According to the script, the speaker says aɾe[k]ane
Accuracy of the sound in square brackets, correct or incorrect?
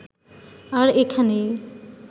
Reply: incorrect